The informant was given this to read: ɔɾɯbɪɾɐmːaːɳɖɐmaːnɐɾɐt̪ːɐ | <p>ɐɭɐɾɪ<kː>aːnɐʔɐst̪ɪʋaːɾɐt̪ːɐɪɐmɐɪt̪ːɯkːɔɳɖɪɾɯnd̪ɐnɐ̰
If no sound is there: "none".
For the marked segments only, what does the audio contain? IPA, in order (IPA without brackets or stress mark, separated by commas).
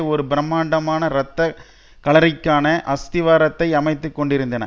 k, kː